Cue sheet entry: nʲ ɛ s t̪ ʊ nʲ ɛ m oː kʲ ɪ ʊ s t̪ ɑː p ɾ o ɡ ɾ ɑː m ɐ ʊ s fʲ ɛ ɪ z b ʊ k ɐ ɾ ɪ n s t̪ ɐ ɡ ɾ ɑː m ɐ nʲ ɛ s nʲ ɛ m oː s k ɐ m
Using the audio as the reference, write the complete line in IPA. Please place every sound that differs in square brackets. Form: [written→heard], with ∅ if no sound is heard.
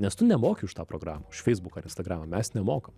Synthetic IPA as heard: nʲ ɛ s t̪ ʊ nʲ ɛ m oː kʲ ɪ ʊ [s→ʃ] t̪ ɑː p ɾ o ɡ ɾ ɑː m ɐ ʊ [s→ʃ] fʲ ɛ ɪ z b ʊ k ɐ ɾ ɪ n s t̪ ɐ ɡ ɾ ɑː m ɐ [nʲ→mʲ] ɛ s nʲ ɛ m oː [s→∅] k ɐ m